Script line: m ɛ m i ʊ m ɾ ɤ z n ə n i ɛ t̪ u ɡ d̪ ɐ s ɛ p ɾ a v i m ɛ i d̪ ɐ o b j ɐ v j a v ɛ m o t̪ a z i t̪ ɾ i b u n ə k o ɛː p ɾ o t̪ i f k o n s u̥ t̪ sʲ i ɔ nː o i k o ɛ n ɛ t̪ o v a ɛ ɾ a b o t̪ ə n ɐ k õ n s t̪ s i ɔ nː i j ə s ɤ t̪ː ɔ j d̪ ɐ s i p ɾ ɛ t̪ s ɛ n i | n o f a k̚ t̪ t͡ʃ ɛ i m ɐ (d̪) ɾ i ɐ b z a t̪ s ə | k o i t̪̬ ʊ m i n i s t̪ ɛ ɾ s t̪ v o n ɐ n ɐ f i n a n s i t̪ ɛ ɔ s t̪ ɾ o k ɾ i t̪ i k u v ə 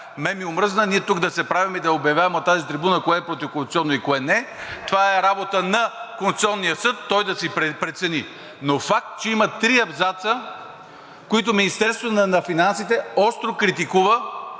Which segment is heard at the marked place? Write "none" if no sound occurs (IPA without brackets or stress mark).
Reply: t̪